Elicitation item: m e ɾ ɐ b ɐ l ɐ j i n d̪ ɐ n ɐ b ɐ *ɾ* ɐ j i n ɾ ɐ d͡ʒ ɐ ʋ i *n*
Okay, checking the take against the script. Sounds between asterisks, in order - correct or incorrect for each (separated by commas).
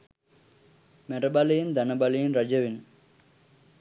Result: incorrect, correct